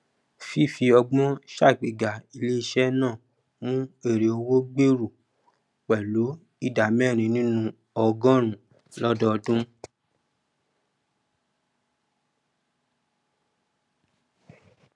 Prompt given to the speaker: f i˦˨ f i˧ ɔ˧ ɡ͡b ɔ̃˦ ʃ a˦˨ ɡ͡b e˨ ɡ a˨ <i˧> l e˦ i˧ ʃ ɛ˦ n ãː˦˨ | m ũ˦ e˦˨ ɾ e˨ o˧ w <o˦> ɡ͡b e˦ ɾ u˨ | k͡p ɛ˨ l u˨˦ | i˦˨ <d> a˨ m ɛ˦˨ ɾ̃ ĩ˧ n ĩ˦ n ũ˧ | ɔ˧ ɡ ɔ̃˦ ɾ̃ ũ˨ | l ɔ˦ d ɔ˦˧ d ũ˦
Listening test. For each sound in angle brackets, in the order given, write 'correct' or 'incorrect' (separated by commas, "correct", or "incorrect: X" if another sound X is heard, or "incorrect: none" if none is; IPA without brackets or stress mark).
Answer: correct, correct, correct